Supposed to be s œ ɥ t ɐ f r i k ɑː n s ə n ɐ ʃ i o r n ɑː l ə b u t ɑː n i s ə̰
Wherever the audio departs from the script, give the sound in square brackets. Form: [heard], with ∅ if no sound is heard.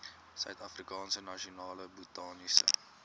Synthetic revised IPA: s œ ɥ t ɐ f r i k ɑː n s ə n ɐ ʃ i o [∅] n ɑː l ə b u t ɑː n i s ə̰